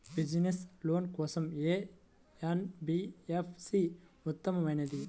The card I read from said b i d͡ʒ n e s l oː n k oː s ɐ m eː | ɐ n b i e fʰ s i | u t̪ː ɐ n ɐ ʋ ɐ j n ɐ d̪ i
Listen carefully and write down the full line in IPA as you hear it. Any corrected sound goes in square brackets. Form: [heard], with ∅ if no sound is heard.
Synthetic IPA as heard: b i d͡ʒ n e s l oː n k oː s ɐ m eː | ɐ n b i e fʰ s i | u t̪ː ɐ [m] ɐ ʋ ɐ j n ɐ d̪ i